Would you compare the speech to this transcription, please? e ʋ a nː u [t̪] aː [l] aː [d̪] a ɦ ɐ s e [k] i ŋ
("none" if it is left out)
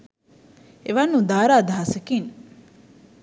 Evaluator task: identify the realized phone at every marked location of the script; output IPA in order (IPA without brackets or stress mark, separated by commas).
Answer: d̪, ɾ, d̪, k